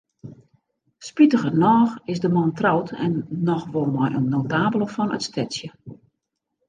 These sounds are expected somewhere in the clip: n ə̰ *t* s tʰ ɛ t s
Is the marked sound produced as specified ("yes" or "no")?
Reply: yes